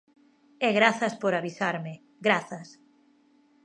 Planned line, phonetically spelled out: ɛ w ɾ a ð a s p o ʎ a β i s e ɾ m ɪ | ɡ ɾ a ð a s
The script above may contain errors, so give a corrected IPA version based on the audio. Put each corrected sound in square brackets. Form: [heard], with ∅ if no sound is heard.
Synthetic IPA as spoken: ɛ [ɣ] ɾ a [θ] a s p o [ɾ] a β i s [a] ɾ m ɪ | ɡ ɾ a [θ] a s